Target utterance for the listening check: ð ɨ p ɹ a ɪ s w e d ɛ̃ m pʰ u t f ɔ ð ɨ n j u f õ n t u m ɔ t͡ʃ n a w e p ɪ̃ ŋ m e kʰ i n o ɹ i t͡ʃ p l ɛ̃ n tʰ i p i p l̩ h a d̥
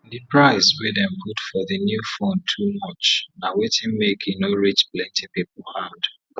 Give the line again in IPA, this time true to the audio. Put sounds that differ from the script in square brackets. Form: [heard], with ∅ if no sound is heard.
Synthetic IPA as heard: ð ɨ p ɹ a ɪ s w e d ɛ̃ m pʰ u t f ɔ ð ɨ n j u f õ n [tʰ] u m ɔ t͡ʃ n a w e [t] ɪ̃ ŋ m e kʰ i n o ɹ i t͡ʃ p l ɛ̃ n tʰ i p i p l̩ h a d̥